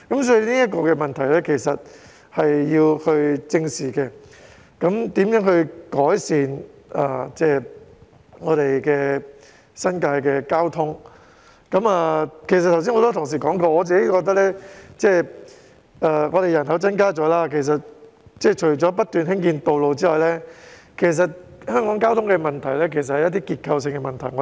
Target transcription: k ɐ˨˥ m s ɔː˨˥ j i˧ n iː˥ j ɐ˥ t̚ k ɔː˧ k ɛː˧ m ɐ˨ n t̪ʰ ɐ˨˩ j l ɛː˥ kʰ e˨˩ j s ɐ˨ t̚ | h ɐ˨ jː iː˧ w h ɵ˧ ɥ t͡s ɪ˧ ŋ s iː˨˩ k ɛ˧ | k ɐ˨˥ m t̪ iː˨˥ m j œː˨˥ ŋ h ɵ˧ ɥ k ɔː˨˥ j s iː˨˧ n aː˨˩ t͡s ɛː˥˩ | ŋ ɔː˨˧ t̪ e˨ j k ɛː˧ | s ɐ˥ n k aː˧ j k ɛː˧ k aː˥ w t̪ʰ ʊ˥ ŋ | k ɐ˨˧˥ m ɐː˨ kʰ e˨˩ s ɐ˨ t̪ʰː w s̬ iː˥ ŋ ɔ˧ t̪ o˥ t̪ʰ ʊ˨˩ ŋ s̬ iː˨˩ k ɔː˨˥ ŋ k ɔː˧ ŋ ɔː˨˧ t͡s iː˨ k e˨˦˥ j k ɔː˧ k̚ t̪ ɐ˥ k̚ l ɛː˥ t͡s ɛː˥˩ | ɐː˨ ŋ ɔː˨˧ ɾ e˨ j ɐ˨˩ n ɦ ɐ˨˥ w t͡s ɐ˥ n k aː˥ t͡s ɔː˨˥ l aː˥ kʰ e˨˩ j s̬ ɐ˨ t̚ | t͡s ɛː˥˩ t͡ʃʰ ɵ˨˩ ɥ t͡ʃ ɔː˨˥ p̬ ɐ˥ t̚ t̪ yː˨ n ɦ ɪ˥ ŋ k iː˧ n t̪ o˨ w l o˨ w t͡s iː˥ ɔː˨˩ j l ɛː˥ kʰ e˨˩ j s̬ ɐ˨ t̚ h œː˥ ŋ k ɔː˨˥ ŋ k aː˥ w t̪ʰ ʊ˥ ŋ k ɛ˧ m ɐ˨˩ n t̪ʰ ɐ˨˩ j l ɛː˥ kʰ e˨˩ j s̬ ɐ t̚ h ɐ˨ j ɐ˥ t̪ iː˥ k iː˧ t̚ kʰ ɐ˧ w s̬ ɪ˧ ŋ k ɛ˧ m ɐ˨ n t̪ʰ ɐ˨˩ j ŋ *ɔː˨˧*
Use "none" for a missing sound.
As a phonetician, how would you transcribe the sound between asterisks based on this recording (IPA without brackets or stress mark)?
ɔ˨˧